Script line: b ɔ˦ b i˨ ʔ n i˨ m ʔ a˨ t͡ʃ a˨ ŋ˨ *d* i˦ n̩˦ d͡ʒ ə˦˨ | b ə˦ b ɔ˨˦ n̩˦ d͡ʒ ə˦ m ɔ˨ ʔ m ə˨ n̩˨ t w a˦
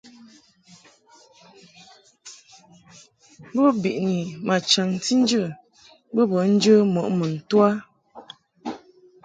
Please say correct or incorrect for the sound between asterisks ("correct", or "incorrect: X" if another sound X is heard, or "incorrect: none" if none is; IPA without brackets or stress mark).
incorrect: t